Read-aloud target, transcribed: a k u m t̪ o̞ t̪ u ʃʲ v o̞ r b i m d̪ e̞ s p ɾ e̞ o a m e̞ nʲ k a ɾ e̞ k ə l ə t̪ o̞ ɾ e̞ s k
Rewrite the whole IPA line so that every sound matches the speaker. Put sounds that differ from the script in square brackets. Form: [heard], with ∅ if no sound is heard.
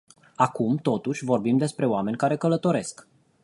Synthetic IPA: a k u m t̪ o̞ t̪ u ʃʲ v o̞ r b i m d̪ e̞ s p ɾ e̞ o a m e̞ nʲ k a ɾ e̞ k ə l ə t̪ o̞ ɾ e̞ s k